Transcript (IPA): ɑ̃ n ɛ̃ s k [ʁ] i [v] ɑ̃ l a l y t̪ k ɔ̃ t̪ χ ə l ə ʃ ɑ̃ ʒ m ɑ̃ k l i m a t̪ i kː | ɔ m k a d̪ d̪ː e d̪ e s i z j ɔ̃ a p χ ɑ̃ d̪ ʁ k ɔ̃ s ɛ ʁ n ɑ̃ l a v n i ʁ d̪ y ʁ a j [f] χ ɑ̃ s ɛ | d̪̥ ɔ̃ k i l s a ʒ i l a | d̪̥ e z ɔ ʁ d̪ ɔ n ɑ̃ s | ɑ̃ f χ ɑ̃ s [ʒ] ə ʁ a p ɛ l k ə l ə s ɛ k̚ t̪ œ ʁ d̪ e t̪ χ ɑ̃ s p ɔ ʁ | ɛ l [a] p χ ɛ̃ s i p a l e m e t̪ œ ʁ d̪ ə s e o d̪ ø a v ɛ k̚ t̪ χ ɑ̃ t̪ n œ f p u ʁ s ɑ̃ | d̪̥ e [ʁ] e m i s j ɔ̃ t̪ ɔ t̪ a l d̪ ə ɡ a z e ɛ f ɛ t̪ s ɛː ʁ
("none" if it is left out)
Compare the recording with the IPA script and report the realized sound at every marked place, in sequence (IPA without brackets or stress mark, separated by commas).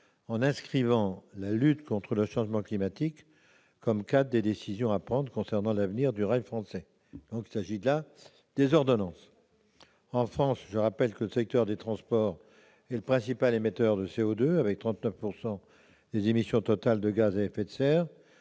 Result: χ, v, f, ʒ, ə, z